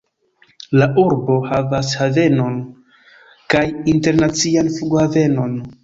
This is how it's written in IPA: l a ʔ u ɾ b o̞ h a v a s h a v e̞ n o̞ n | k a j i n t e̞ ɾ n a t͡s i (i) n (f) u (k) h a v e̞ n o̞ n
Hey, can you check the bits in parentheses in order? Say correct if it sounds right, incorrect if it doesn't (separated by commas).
incorrect, correct, incorrect